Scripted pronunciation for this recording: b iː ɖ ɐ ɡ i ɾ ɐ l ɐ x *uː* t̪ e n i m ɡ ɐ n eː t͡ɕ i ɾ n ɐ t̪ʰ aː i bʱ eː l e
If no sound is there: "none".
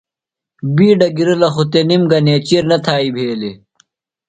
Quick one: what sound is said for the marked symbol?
u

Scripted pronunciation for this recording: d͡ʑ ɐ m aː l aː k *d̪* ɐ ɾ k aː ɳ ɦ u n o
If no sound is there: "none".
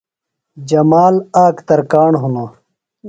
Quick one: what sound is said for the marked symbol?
t̪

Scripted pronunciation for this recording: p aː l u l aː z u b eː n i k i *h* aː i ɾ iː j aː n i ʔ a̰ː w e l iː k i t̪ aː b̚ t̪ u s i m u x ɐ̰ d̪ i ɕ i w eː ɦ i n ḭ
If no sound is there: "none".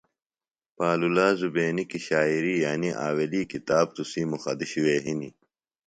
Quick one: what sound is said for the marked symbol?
ɕ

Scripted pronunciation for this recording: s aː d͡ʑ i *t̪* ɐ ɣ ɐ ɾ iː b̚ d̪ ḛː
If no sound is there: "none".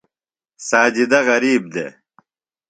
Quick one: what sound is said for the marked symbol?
d̪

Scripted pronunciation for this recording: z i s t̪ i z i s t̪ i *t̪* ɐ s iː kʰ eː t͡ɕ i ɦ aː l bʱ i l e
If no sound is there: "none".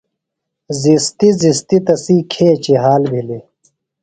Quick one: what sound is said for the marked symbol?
t̪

